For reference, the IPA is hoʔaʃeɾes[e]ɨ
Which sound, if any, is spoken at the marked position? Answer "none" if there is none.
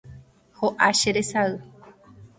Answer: a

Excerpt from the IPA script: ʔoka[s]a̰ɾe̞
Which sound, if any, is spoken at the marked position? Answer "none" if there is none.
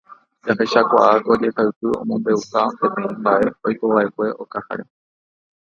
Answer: h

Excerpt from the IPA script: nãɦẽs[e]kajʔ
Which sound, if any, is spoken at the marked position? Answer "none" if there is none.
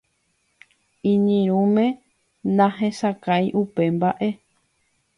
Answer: a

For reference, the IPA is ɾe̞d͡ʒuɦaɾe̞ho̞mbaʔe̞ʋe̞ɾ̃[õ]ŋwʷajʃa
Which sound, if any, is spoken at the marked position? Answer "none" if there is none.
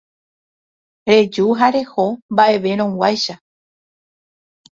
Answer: õ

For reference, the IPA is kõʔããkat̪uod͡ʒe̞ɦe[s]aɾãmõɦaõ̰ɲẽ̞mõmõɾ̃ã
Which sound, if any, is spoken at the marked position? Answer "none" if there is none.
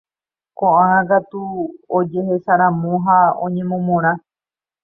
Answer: s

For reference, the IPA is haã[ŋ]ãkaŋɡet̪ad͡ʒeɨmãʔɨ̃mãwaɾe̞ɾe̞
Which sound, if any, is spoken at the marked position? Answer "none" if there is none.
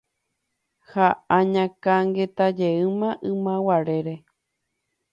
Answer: ɲ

